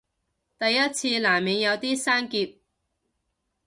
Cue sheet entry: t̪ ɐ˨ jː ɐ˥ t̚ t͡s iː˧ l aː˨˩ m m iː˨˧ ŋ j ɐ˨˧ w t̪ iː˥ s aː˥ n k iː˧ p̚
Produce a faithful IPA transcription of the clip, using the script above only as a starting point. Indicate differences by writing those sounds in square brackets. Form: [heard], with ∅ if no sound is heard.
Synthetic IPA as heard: t̪ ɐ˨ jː ɐ˥ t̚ [t͡sʰ] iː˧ l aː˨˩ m m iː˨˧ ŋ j ɐ˨˧ w t̪ iː˥ s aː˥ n k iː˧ p̚